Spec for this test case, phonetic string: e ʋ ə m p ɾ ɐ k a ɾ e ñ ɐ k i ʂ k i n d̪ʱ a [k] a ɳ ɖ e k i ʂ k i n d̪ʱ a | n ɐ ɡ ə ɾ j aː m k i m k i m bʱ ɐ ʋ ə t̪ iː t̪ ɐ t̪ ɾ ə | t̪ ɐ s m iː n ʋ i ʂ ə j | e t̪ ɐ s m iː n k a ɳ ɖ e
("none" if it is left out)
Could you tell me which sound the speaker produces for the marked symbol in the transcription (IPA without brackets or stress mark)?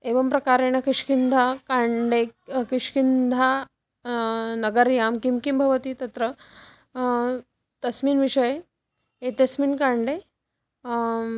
k